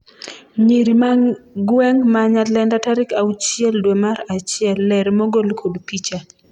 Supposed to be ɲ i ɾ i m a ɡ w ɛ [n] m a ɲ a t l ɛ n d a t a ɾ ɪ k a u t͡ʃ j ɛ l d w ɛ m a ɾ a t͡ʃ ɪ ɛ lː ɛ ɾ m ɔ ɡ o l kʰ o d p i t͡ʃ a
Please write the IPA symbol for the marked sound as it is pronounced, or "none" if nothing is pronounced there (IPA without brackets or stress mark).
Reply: ŋ